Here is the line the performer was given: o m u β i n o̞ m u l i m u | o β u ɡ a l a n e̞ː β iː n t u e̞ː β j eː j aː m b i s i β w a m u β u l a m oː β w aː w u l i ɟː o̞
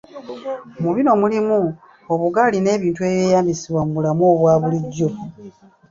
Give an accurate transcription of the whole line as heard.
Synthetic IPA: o m u β i n o̞ m u l i m u | o β u ɡ a l i n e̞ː β iː n t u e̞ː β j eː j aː m b i s i β w a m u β u l a m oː β w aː β u l i ɟː o̞

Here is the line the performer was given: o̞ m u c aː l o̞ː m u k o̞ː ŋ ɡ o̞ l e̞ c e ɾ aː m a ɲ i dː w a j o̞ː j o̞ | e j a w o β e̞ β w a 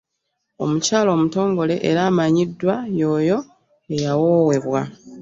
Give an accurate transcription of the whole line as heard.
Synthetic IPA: o̞ m u c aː l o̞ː m u t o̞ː ŋ ɡ o̞ l e̞ ʔ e ɾ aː m a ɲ i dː w a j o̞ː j o̞ | e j a w o w e̞ β w a

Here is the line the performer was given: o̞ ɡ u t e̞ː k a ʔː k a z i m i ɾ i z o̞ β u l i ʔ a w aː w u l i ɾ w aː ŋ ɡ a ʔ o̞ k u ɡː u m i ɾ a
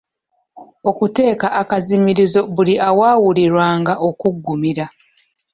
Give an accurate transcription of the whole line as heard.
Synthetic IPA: o̞ k u t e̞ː k a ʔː k a z i m i ɾ i z o̞ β u l i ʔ a w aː w u l i ɾ w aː ŋ ɡ a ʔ o̞ k u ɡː u m i ɾ a

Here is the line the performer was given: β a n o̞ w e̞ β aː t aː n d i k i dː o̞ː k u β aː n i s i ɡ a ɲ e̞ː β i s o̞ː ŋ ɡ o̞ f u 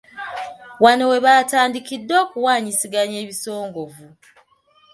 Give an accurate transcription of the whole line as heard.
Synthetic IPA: w a n o̞ w e̞ β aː t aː n d i k i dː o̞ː k u w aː ɲ i s i ɡ a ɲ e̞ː β i s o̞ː ŋ ɡ o̞ v u

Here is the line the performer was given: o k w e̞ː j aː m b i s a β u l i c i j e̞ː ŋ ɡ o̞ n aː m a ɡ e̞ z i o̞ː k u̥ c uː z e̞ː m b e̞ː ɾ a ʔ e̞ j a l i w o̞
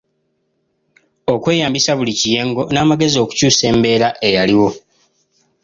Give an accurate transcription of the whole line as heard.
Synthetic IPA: o k w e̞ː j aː m b i s a β u l i c i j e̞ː ŋ ɡ o̞ n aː m a ɡ e̞ z i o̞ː k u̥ c uː s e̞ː m b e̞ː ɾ a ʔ e̞ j a l i w o̞

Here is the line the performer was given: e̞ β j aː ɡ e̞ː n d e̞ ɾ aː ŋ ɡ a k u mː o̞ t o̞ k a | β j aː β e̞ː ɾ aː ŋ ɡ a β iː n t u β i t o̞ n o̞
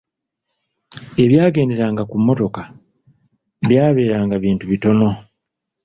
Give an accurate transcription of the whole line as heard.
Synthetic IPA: e̞ β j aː ɡ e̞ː n d e̞ ɾ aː ŋ ɡ a k u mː o̞ t o̞ k a | β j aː β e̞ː ɾ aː ŋ ɡ a β iː n t u β i t o̞ n o̞

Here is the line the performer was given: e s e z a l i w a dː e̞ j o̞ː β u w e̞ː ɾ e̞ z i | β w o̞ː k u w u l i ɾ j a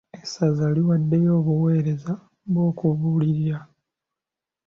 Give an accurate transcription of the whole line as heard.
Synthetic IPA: e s a z a l i w a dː e̞ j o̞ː β u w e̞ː ɾ e̞ z a | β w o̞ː k u β u l i ɾ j a

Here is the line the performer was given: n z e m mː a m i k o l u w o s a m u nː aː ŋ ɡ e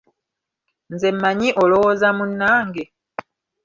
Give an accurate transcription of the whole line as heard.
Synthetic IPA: n z e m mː a ɲ i ʔ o l o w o z a m u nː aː ŋ ɡ e

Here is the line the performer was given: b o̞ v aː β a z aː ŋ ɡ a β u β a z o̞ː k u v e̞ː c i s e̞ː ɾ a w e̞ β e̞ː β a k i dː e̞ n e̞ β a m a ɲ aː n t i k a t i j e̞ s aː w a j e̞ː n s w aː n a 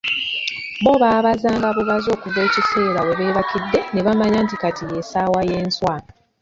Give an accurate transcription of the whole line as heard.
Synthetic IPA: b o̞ β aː β a z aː ŋ ɡ a β u β a z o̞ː k u v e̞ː c i s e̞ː ɾ a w e̞ β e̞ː β a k i dː e̞ n e̞ β a m a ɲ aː n t i k a t i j e̞ s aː w a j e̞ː n s w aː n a

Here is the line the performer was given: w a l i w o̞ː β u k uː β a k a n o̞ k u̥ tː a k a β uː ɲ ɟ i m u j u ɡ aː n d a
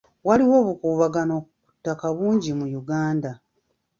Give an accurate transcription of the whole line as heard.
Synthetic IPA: w a l i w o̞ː β u k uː β a ɡ a n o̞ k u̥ tː a k a β uː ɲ ɟ i m u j u ɡ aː n d a

